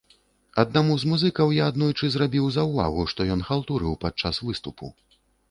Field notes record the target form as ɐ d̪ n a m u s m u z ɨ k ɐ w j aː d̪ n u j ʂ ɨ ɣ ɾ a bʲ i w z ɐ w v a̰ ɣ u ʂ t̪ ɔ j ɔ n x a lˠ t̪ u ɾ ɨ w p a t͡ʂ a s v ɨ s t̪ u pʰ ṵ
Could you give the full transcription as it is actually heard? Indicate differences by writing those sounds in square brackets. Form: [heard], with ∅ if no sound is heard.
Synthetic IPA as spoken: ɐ d̪ n a m u [z] m u z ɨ k ɐ w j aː d̪ n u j [t͡ʂ] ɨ [z] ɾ a bʲ i w z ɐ w v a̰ ɣ u ʂ t̪ ɔ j ɔ n x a lˠ t̪ u ɾ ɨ w p a t͡ʂ a s v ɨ s t̪ u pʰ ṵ

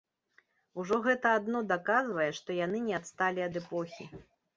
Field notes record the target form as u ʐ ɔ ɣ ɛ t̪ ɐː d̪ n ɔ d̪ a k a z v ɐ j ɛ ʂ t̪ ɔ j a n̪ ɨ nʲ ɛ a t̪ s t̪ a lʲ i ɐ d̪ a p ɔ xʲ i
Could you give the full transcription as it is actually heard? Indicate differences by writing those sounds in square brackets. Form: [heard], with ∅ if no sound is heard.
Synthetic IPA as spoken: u ʐ ɔ ɣ ɛ t̪ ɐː d̪ n ɔ d̪ a k a z v ɐ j ɛ ʂ t̪ ɔ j a n̪ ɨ nʲ ɛ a t̪ s t̪ a lʲ i ɐ d̪ [ɛ] p ɔ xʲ i

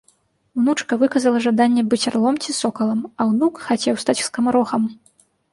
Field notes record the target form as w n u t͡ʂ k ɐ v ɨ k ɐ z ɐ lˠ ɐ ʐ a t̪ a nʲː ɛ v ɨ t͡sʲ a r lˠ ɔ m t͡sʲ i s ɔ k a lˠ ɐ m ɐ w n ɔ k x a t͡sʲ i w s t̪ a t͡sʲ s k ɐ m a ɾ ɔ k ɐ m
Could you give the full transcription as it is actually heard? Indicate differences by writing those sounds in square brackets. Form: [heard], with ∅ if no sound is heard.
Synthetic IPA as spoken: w n u t͡ʂ k ɐ v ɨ k ɐ z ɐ lˠ ɐ ʐ a [d̪] a nʲː ɛ [b] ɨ t͡sʲ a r lˠ ɔ m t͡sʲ i s ɔ k [ɐ] lˠ ɐ m ɐ w n [u] k x a t͡sʲ [ɛ] w s t̪ a t͡sʲ s k ɐ m a ɾ ɔ [x] ɐ m

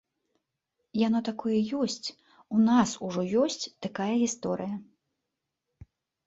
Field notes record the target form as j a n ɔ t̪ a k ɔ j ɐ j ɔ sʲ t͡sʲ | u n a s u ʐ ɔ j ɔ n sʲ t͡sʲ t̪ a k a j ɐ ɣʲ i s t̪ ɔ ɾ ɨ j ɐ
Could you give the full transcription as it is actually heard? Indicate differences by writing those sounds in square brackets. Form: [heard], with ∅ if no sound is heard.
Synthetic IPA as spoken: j a n ɔ t̪ a k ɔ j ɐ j ɔ sʲ t͡sʲ | u n a s u ʐ ɔ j ɔ [∅] sʲ t͡sʲ t̪ a k a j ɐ ɣʲ i s t̪ ɔ ɾ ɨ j ɐ

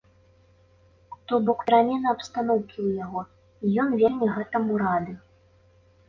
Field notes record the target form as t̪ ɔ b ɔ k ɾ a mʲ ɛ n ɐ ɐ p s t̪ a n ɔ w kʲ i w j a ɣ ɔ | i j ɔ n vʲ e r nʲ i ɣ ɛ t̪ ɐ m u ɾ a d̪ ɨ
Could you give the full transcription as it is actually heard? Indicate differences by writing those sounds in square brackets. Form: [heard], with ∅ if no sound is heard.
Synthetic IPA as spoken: t̪ ɔ b ɔ k ɾ a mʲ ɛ n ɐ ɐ p s t̪ a n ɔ w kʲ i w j a ɣ ɔ | i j ɔ n vʲ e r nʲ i ɣ ɛ t̪ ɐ m u ɾ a d̪ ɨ

